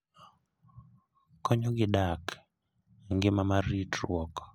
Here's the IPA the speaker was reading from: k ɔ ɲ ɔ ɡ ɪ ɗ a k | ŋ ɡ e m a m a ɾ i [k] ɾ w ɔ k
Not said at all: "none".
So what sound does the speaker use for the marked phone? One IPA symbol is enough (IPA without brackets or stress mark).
t